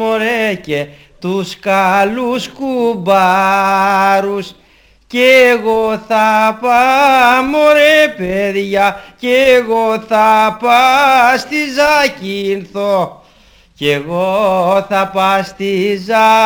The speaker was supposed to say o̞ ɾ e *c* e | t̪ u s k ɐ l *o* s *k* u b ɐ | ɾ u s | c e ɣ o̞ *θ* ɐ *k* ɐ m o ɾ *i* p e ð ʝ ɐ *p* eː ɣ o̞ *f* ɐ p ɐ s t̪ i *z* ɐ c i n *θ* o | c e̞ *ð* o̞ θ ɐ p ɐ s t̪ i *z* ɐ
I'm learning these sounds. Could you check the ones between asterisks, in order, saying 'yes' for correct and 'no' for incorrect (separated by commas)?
yes, no, yes, yes, no, no, no, no, yes, yes, no, yes